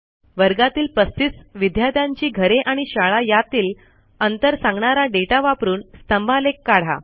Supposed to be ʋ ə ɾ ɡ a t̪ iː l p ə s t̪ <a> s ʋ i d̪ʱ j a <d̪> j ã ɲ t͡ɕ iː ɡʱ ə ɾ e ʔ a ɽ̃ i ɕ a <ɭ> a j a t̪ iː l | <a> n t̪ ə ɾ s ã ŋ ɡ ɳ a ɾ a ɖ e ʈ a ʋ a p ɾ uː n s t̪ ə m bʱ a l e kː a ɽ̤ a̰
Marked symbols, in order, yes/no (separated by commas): no, yes, yes, no